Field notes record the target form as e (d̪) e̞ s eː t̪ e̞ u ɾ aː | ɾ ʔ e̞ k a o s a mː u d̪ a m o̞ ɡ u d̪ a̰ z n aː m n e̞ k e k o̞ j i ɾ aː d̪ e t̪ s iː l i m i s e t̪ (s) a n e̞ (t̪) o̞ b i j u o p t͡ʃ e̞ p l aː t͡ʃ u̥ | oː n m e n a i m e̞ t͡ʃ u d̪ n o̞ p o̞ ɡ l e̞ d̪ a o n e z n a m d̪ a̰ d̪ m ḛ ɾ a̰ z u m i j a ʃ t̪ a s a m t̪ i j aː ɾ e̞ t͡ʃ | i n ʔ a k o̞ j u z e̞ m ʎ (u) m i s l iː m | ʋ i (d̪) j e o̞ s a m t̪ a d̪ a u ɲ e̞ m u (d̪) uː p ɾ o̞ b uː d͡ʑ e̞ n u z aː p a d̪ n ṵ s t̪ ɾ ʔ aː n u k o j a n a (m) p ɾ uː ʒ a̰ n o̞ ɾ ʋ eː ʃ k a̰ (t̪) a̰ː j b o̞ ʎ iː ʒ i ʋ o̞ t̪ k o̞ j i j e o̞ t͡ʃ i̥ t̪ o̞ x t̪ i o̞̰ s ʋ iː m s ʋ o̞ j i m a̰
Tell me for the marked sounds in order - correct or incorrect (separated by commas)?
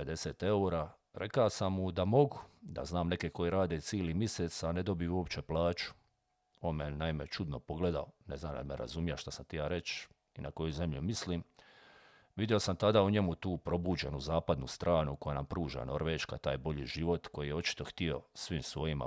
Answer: correct, correct, incorrect, correct, correct, incorrect, correct, correct